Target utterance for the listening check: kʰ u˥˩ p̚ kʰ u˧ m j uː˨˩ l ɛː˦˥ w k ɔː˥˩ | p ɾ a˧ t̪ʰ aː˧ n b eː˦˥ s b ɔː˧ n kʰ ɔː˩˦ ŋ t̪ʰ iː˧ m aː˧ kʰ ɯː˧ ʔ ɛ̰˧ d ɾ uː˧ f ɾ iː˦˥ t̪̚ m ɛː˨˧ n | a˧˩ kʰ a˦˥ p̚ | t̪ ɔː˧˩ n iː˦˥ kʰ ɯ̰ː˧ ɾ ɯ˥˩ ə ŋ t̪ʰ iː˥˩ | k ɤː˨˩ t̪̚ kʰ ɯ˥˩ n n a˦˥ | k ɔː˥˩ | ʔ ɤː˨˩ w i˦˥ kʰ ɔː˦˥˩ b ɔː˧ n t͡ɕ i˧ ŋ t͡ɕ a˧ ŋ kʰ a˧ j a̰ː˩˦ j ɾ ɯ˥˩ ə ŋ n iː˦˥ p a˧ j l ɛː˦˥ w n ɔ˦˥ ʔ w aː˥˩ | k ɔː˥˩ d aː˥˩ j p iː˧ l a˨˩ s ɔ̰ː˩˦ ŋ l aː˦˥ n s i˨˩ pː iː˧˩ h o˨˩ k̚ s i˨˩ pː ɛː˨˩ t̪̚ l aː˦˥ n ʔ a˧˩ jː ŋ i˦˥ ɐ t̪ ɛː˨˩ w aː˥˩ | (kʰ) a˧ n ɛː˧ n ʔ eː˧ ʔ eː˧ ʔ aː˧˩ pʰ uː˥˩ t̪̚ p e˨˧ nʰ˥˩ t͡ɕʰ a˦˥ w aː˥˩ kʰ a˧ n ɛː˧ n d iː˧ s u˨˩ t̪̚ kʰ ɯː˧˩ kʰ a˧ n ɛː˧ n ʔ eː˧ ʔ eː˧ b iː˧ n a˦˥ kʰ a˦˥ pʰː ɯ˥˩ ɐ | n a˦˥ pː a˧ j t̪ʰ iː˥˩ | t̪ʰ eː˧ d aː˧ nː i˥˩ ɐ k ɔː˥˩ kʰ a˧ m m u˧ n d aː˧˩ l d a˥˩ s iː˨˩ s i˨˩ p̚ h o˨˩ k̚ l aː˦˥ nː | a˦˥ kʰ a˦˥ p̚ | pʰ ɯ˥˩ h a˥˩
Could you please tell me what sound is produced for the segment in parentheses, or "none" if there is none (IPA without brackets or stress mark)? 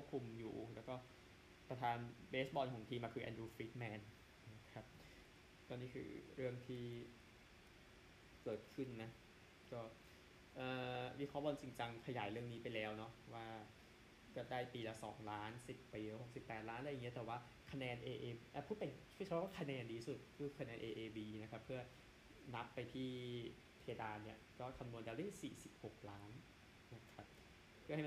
kʰ